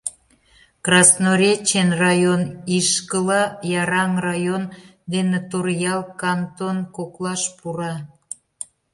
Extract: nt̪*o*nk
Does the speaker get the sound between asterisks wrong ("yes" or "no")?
no